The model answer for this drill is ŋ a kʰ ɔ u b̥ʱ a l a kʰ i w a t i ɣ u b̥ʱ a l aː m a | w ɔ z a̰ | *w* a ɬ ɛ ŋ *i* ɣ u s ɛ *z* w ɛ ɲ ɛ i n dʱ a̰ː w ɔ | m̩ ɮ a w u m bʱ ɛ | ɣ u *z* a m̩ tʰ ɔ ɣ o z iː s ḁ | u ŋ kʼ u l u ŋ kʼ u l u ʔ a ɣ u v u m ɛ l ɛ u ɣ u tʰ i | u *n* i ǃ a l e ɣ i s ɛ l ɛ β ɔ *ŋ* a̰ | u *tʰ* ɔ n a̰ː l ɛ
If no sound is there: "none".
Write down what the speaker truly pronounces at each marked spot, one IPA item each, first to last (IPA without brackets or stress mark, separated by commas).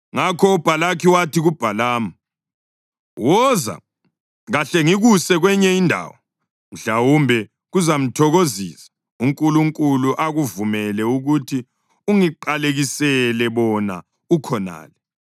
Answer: ɣ, i, ɣ, z, ŋ, n, kʰ